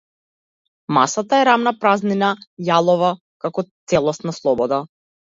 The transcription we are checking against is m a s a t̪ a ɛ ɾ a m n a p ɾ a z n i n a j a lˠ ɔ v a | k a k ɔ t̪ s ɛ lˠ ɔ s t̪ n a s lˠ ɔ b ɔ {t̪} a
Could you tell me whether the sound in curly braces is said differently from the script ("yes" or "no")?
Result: yes